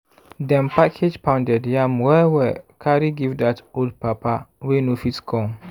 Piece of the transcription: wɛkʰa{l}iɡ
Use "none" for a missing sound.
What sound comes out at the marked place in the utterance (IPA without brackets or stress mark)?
ɾ